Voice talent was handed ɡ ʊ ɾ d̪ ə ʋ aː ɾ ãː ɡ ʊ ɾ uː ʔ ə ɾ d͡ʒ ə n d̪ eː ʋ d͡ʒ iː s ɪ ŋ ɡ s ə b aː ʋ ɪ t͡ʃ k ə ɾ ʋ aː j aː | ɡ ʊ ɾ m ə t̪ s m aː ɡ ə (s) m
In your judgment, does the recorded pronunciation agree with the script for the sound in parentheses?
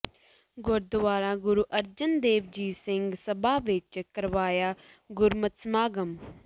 no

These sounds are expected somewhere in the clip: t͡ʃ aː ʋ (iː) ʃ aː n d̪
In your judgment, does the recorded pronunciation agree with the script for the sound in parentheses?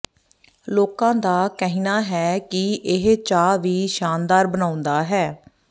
yes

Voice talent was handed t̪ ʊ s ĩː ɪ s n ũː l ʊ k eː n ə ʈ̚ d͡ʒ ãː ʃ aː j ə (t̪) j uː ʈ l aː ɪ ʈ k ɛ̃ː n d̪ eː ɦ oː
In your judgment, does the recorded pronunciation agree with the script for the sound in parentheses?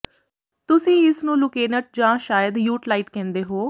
no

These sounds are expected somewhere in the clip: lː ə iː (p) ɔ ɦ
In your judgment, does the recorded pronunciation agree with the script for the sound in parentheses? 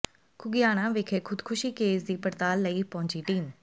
yes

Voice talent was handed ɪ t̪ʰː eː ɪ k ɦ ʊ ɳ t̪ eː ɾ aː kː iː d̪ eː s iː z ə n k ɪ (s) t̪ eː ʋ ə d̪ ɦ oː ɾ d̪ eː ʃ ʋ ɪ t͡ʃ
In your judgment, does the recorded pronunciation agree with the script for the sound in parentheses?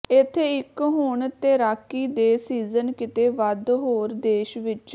no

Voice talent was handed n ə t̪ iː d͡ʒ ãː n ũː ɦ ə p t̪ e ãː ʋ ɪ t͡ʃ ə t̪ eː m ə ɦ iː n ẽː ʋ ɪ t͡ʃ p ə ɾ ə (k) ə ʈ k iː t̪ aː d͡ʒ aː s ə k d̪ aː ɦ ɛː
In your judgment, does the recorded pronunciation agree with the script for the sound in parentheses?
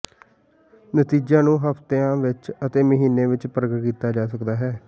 no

